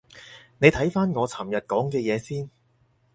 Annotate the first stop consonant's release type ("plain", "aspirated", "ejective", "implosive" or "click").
aspirated